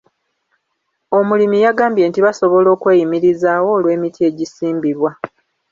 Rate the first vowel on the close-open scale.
mid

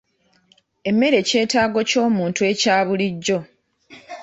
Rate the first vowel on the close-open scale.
mid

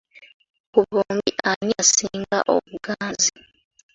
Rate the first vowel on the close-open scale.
close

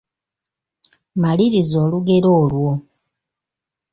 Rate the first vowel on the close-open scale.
open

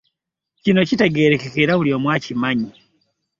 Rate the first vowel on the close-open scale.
close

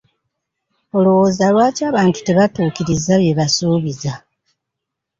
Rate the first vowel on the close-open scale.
mid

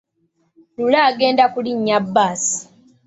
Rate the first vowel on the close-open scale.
close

